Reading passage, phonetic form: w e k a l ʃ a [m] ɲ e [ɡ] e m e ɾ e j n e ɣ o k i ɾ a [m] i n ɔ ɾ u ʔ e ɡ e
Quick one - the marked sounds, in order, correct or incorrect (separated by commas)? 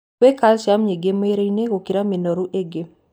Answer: correct, correct, correct